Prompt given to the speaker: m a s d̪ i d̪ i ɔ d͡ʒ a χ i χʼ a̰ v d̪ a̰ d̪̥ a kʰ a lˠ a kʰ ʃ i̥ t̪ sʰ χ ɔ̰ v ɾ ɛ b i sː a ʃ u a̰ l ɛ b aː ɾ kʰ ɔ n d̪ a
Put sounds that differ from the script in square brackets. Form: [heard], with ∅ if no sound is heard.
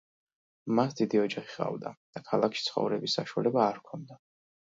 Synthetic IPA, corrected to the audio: m a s d̪ i d̪ i ɔ d͡ʒ a χ i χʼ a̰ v d̪ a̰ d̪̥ a kʰ a lˠ a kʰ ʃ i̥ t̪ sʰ χ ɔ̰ v ɾ ɛ b i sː a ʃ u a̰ l ɛ b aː ɾ kʰ ɔ n d̪ a